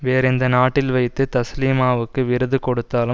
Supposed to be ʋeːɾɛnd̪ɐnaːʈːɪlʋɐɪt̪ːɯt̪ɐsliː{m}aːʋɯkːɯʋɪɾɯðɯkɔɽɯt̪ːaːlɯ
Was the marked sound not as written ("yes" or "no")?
no